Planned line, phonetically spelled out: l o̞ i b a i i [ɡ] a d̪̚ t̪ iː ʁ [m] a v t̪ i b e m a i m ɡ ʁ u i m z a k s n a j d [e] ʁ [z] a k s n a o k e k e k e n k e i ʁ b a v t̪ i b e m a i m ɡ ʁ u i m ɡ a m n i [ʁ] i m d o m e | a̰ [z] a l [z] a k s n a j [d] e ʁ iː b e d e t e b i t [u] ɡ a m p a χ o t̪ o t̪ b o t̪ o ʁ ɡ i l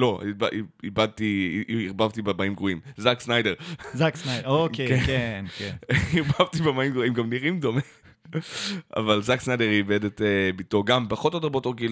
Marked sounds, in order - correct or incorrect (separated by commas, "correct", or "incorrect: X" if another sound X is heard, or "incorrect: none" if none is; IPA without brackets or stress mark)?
incorrect: b, incorrect: b, correct, correct, correct, incorrect: v, correct, correct, incorrect: o